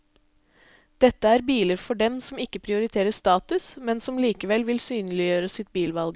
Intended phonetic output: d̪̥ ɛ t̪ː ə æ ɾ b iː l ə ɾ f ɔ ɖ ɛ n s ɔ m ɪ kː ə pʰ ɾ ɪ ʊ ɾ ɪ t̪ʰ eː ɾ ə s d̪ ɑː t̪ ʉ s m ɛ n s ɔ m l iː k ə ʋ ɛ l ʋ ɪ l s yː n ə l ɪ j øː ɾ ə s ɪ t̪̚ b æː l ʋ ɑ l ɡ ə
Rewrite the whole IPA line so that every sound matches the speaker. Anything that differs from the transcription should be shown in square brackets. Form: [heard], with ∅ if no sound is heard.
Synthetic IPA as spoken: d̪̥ ɛ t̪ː ə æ ɾ b iː l ə ɾ f ɔ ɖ ɛ [m] s ɔ m ɪ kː ə pʰ ɾ ɪ ʊ ɾ ɪ t̪ʰ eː ɾ ə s [t̪] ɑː t̪ ʉ s m ɛ n s ɔ m l iː k ə ʋ ɛ l ʋ ɪ l s yː n ə l ɪ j øː ɾ ə s ɪ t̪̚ b [iː] l ʋ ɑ l ɡ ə